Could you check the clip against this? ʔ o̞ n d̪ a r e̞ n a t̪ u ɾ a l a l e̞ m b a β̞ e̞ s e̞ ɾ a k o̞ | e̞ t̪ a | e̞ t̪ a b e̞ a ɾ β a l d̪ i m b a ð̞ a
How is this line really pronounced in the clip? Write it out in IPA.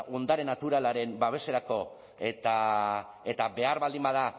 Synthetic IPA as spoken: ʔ o̞ n d̪ a ɾ e̞ n a t̪ u ɾ a l a ɾ e̞ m b a β̞ e̞ s e̞ ɾ a k o̞ | e̞ t̪ a | e̞ t̪ a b e̞ a ɾ β a l d̪ i m b a ð̞ a